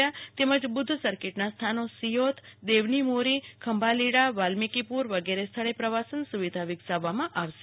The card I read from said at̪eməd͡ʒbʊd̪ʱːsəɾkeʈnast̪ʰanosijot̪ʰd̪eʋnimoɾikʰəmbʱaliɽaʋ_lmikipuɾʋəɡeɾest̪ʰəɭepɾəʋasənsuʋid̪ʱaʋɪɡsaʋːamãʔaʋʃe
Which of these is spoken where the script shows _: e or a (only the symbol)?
a